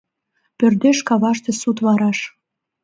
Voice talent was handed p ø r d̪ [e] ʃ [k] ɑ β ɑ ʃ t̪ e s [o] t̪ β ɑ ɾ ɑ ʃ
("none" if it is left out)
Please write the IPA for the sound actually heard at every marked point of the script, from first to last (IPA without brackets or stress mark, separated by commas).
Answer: e, k, u